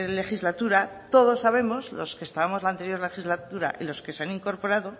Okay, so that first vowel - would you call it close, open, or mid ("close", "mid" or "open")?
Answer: mid